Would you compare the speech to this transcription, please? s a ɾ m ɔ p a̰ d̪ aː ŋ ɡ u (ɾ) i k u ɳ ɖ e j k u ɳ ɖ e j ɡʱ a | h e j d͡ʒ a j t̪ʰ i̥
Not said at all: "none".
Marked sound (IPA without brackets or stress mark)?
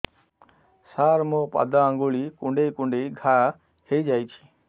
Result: ɭ